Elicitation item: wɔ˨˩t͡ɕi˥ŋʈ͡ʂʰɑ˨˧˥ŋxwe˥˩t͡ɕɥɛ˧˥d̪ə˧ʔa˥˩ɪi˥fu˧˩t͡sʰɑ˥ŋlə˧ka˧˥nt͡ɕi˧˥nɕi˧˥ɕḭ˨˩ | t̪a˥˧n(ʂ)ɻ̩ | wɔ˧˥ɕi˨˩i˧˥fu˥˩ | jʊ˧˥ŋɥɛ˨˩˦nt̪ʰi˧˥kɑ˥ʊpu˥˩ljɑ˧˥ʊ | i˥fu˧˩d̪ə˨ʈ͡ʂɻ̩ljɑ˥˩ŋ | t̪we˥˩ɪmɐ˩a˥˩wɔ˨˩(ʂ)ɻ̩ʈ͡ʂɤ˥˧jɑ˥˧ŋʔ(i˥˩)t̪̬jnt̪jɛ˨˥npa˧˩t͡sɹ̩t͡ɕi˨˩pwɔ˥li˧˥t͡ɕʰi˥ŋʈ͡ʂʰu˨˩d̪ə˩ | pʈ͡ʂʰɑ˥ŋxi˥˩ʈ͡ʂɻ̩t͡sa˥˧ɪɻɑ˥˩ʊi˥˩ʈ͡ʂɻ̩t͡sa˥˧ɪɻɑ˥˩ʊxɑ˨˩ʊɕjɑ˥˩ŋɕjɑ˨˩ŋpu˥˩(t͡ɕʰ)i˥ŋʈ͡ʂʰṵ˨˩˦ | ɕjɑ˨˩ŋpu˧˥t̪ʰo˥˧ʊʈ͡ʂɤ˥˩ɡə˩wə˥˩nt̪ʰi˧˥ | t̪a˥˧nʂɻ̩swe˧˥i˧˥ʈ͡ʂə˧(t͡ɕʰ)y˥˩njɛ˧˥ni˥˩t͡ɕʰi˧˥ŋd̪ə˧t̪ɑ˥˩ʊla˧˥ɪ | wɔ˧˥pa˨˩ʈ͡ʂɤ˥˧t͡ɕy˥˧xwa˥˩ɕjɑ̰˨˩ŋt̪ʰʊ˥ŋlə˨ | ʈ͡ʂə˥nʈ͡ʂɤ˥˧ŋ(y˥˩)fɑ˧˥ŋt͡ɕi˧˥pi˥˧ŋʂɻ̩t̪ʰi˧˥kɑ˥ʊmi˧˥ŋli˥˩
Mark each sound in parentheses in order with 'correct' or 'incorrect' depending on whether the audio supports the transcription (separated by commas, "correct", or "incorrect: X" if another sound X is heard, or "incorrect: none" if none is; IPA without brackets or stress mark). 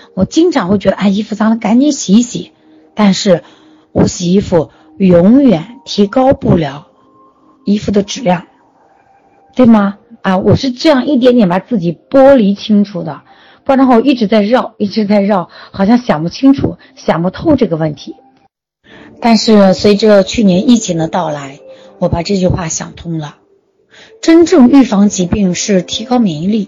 correct, correct, correct, correct, correct, correct